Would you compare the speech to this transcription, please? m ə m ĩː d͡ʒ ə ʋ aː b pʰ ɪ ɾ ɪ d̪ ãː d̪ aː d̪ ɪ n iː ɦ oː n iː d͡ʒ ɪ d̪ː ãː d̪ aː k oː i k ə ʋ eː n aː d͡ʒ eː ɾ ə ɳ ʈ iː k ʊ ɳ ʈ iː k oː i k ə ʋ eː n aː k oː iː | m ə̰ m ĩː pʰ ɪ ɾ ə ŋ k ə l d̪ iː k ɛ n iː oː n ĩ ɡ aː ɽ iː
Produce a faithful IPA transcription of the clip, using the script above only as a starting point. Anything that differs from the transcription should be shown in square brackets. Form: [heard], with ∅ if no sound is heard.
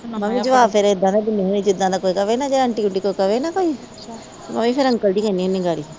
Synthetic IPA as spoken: m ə m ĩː d͡ʒ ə ʋ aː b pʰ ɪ ɾ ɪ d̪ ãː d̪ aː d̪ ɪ n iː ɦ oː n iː d͡ʒ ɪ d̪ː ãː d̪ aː k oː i k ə ʋ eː n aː d͡ʒ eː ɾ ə ɳ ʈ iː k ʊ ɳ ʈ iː k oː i k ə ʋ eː n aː k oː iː | m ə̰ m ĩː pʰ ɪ ɾ ə ŋ k ə l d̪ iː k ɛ n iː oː n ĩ ɡ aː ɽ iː